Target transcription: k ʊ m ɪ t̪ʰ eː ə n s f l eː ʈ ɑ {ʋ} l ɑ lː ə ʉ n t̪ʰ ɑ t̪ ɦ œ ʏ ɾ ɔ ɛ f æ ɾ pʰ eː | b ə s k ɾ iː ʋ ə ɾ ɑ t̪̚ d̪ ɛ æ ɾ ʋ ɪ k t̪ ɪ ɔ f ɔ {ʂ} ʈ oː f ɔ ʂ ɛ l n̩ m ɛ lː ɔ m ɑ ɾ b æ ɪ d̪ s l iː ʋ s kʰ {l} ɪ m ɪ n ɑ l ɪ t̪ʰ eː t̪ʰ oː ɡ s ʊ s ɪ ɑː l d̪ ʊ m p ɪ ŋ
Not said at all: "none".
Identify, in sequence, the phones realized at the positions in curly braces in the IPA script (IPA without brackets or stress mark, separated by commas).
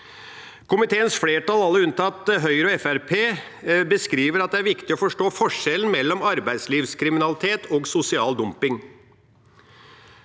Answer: none, ʂ, ɾ